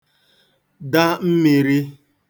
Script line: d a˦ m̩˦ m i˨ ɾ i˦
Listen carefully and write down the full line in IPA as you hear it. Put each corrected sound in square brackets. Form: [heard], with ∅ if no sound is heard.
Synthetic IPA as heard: d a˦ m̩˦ m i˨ ɾ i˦